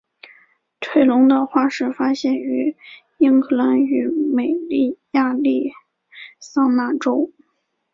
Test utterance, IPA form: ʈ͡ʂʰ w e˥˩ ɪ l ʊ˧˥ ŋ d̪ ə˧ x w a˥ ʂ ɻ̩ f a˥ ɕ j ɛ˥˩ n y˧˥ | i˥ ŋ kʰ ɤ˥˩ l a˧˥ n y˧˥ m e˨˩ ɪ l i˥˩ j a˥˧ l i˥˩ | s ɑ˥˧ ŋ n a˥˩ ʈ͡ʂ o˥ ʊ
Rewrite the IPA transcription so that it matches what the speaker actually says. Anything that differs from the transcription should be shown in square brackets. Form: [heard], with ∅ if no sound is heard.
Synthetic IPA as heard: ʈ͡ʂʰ w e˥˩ ɪ l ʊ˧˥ ŋ d̪ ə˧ x w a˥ ʂ ɻ̩ f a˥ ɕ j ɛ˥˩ n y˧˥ | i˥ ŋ kʰ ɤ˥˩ l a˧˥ n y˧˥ m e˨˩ ɪ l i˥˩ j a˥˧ l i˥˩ | s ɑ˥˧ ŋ n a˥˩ ʈ͡ʂ o˥ ʊ

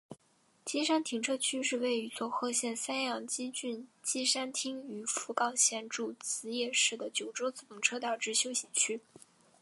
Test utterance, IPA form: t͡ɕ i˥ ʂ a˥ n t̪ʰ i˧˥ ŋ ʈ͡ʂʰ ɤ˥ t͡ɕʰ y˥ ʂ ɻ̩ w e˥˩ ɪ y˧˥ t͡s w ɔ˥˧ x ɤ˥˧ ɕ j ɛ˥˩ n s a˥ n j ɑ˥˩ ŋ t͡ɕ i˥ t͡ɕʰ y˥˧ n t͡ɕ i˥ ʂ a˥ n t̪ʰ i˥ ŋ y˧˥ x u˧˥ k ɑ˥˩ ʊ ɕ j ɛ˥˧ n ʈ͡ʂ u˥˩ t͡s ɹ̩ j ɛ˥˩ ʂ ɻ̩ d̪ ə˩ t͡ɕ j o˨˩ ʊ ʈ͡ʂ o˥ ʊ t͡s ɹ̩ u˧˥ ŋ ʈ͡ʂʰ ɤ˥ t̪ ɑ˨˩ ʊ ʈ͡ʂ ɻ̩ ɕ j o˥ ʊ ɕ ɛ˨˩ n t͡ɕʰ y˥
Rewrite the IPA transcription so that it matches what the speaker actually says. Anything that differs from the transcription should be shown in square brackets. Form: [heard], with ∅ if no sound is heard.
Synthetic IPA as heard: t͡ɕ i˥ ʂ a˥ n t̪ʰ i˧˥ ŋ ʈ͡ʂʰ ɤ˥ t͡ɕʰ y˥ ʂ ɻ̩ w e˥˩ ɪ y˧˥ t͡s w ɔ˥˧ x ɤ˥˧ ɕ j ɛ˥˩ n s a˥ n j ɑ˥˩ ŋ t͡ɕ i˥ [t͡ɕ] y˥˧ n t͡ɕ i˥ ʂ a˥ n t̪ʰ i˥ ŋ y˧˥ [f] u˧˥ k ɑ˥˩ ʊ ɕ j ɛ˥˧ n ʈ͡ʂ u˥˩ t͡s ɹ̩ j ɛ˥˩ ʂ ɻ̩ d̪ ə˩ t͡ɕ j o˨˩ ʊ ʈ͡ʂ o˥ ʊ t͡s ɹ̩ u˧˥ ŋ ʈ͡ʂʰ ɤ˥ t̪ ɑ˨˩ ʊ ʈ͡ʂ ɻ̩ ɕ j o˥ ʊ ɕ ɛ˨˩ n t͡ɕʰ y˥

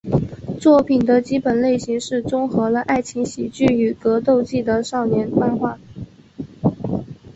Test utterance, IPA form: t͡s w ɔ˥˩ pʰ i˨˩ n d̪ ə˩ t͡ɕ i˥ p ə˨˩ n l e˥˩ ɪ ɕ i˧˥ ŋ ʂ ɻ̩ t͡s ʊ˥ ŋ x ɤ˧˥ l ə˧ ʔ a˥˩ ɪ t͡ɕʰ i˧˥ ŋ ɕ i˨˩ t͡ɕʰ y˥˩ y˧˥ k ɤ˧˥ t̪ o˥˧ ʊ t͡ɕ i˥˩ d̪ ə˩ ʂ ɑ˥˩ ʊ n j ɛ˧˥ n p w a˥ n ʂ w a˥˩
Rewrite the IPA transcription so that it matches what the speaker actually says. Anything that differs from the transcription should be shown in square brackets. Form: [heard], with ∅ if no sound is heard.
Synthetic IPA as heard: t͡s w ɔ˥˩ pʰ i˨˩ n d̪ [ə˦] t͡ɕ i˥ p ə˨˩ n l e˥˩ ɪ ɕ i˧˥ ŋ ʂ ɻ̩ t͡s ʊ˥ ŋ x ɤ˧˥ l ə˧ ʔ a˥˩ ɪ t͡ɕʰ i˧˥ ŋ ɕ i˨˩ [t͡ɕ] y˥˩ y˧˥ k ɤ˧˥ t̪ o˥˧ ʊ t͡ɕ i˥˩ d̪ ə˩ ʂ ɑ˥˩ ʊ n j ɛ˧˥ n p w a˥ n [x] w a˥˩

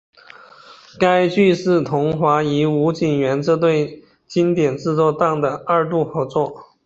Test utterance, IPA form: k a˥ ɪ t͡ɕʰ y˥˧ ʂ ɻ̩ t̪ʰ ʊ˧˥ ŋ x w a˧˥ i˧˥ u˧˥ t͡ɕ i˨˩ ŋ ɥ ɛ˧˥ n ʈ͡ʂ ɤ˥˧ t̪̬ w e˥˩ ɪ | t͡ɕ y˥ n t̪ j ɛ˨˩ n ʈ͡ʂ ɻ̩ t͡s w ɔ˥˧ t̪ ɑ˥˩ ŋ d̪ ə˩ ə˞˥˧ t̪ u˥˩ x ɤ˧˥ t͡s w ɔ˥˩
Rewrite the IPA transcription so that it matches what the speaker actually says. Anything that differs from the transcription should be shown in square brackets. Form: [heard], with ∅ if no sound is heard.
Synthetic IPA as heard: k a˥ ɪ [t͡ɕ] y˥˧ ʂ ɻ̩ t̪ʰ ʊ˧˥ ŋ x w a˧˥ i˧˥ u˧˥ t͡ɕ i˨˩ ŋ ɥ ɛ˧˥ n ʈ͡ʂ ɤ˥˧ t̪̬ w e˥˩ ɪ | t͡ɕ [i˥] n t̪ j ɛ˨˩ n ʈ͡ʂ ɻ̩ t͡s w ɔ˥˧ t̪ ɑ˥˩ ŋ d̪ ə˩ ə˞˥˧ t̪ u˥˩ x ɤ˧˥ t͡s w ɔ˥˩

